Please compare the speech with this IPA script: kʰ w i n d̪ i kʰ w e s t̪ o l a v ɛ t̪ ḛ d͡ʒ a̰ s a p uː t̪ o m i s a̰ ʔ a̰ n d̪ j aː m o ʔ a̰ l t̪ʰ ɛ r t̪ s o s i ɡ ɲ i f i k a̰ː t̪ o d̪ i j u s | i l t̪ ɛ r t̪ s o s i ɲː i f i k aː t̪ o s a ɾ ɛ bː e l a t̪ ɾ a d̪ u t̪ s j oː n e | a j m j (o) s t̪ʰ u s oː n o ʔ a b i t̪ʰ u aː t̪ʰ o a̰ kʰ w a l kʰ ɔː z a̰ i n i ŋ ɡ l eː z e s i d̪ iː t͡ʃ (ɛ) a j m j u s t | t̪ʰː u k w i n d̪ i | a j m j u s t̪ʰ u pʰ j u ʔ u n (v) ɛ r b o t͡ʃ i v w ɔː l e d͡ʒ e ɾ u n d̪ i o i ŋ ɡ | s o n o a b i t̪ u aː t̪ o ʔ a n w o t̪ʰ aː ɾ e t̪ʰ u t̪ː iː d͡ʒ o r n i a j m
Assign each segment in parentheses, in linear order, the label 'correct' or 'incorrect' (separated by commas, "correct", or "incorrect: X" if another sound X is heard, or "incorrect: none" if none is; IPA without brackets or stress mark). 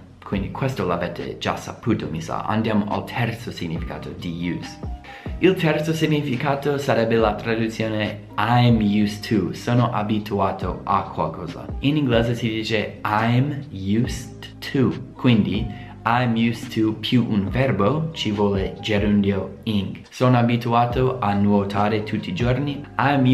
incorrect: u, incorrect: e, correct